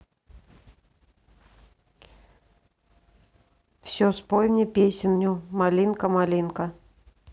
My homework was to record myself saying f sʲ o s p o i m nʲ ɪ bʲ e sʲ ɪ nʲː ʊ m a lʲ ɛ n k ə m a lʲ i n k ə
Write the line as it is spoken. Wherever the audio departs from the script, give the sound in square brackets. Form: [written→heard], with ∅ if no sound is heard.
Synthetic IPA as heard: f sʲ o s p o [i→j] m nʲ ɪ [bʲ→pʲ] e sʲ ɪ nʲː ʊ m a lʲ [ɛ→i] n k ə m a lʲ i n k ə